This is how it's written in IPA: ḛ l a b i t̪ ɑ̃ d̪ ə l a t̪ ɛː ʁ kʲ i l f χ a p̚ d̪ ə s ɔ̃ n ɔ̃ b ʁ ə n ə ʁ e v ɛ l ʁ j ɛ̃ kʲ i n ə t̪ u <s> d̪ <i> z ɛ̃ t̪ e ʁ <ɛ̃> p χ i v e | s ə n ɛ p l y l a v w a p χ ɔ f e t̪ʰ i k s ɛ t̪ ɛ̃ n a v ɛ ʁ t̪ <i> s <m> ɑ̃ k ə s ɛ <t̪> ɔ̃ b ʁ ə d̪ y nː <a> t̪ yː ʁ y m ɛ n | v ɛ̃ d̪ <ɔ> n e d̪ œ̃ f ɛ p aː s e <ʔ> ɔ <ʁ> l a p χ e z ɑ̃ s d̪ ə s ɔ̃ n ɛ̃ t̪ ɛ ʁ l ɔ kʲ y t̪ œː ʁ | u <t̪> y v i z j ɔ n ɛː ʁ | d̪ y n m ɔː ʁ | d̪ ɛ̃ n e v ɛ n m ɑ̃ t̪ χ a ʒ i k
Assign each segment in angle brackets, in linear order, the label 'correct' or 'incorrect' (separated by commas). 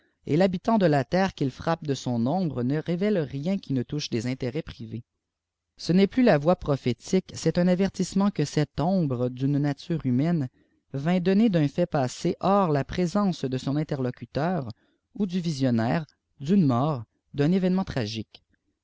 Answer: incorrect, incorrect, incorrect, correct, correct, correct, correct, correct, correct, correct, incorrect